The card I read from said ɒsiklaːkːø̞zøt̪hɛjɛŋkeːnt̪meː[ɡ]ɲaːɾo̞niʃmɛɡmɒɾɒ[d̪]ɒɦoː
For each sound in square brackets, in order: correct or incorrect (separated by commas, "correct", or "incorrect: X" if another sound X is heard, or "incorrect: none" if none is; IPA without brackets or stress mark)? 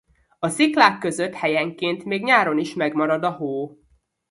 correct, correct